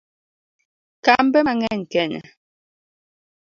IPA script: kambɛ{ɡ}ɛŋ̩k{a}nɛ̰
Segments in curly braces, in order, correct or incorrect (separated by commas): incorrect, incorrect